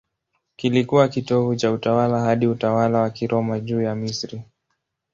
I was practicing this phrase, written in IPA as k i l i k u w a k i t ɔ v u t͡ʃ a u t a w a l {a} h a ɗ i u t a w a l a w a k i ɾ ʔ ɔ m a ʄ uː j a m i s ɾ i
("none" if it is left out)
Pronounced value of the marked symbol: a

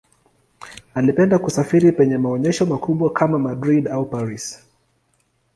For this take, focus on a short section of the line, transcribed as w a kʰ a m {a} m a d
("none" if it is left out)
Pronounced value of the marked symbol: a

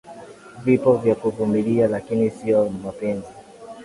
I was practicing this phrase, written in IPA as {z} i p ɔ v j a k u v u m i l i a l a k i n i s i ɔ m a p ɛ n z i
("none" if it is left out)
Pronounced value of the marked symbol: v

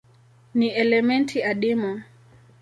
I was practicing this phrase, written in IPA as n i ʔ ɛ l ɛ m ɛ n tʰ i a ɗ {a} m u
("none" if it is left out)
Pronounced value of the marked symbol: i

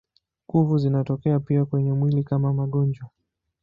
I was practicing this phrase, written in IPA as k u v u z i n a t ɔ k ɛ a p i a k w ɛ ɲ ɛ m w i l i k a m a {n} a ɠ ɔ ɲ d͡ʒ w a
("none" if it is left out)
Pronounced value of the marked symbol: m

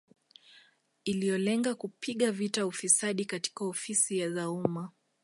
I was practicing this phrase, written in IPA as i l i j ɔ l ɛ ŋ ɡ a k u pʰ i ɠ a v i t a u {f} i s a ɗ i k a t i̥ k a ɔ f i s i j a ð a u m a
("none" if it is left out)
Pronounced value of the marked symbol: f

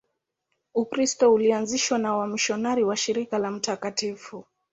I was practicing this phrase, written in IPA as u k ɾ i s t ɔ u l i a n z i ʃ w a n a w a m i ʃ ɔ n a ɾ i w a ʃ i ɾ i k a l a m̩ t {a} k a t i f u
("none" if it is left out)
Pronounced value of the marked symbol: a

